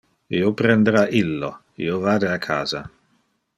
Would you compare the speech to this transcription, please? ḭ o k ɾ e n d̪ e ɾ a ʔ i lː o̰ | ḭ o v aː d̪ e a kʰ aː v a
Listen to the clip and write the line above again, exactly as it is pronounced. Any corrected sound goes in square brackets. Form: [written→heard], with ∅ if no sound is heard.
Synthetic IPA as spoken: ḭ o [k→p] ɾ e n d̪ e ɾ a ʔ i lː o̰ | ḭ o v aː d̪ e a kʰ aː [v→z] a